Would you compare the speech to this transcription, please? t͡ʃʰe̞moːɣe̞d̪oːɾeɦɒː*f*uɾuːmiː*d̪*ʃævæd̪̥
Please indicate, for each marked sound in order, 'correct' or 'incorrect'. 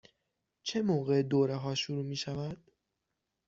incorrect, incorrect

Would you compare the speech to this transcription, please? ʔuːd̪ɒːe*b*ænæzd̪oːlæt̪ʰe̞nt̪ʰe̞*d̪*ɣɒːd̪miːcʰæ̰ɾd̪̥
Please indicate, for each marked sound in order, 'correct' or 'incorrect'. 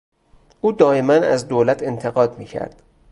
incorrect, incorrect

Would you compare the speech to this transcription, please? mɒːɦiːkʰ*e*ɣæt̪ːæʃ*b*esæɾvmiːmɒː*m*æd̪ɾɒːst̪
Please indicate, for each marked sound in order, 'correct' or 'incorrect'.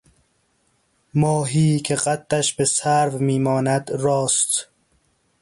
correct, correct, incorrect

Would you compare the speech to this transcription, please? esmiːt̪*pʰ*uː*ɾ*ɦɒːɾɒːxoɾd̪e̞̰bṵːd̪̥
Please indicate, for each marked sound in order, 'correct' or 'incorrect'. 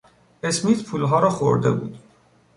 correct, incorrect

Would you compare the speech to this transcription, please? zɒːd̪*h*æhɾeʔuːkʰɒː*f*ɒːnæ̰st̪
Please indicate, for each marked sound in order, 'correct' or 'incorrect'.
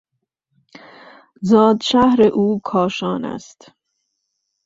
incorrect, incorrect

